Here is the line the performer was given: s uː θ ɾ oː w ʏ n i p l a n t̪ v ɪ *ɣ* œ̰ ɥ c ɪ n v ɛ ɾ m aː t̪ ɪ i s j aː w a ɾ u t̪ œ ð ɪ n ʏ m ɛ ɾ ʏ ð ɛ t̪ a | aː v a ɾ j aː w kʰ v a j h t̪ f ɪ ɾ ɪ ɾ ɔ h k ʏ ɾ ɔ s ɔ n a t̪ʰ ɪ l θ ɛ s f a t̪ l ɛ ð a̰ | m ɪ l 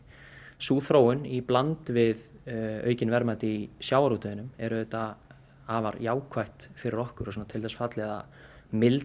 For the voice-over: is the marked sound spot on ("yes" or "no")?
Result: no